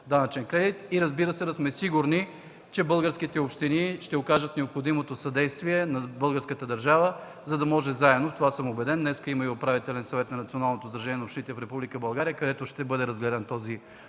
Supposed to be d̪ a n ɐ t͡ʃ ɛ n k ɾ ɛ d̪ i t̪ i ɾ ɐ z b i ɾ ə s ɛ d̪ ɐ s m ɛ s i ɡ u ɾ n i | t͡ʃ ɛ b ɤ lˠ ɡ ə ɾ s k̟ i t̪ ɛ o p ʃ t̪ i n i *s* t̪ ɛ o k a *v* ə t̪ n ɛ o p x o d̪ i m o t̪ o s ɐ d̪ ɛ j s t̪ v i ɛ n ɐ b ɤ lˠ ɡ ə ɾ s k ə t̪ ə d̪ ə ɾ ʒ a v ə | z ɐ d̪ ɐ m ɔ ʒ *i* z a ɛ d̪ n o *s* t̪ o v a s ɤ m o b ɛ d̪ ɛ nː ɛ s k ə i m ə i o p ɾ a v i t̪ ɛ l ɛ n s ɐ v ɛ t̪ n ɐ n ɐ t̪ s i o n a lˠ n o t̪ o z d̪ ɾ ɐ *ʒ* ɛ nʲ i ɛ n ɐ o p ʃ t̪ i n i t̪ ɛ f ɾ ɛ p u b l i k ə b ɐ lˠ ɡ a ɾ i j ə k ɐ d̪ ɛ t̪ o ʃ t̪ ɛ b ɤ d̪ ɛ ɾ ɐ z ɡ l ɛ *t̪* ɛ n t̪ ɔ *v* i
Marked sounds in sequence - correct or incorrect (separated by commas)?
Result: incorrect, incorrect, incorrect, incorrect, correct, incorrect, incorrect